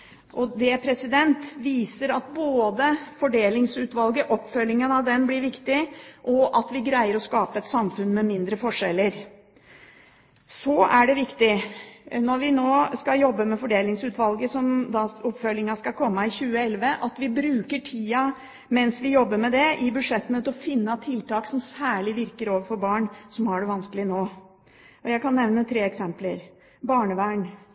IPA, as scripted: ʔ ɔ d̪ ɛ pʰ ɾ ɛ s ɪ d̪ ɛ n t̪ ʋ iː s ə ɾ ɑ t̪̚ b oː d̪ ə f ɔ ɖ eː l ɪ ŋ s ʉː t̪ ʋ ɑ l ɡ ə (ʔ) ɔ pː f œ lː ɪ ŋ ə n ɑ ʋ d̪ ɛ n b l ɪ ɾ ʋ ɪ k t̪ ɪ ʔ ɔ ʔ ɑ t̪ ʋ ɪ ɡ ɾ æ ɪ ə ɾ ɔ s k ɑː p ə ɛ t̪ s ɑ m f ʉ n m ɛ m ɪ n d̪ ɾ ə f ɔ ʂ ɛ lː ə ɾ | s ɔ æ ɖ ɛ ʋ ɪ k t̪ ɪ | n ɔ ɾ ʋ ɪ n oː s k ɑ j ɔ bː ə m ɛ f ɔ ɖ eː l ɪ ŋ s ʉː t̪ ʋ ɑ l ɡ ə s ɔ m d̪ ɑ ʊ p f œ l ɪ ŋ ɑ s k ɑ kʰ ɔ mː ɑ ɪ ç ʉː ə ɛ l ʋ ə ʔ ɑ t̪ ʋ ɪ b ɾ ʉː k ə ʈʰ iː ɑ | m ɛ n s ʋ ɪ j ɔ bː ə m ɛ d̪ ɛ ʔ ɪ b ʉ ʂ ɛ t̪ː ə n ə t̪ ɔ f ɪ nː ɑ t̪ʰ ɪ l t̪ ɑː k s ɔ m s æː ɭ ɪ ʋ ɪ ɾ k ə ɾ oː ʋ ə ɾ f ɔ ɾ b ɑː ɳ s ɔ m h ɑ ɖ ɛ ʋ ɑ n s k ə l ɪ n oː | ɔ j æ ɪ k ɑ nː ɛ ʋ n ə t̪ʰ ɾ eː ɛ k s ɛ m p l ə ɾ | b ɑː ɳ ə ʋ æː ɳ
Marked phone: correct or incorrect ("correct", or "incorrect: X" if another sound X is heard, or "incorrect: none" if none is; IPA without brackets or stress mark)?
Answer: correct